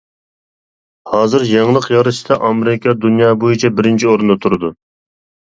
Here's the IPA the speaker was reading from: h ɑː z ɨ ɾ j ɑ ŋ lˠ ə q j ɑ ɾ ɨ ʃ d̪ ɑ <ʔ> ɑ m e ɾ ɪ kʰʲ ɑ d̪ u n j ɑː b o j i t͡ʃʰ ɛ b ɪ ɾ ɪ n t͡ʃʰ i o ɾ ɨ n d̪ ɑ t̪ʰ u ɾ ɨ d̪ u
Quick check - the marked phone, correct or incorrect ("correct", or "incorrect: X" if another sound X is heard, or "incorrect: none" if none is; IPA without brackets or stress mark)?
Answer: correct